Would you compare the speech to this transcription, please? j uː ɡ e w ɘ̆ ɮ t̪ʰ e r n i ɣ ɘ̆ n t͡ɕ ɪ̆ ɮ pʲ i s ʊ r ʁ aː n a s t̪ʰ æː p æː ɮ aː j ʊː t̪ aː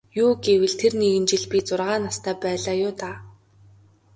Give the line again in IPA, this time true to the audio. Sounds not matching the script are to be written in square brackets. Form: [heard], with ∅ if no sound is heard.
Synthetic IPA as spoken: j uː ɡ e w ɘ̆ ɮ t̪ʰ e r n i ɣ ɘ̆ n t͡ɕ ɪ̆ ɮ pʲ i [t͡s] ʊ r ʁ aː n a s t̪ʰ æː p æː ɮ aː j ʊː t̪ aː